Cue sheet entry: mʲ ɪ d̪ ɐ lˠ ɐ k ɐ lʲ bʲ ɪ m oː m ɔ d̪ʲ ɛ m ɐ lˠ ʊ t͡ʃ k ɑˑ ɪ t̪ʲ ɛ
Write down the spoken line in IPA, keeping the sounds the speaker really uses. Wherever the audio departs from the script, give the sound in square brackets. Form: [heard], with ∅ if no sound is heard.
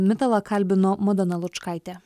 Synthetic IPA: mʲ ɪ [t̪] ɐ lˠ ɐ k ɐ lʲ bʲ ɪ [n] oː m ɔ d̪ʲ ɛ [n] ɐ lˠ ʊ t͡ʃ k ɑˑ ɪ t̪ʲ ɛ